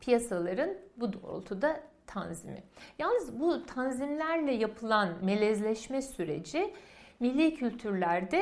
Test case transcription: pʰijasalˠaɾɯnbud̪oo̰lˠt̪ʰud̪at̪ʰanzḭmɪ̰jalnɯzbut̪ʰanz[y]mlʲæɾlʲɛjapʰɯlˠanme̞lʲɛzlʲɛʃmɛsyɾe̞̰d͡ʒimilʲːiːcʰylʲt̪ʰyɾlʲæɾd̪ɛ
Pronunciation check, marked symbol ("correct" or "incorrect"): incorrect